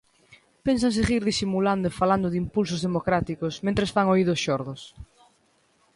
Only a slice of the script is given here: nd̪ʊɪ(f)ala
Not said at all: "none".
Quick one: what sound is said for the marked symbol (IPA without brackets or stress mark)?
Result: f